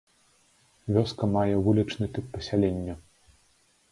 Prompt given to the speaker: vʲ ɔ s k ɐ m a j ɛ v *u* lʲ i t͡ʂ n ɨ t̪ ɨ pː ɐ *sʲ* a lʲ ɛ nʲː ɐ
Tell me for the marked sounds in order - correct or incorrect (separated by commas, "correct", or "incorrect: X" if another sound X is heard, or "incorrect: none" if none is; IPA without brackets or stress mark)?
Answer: correct, correct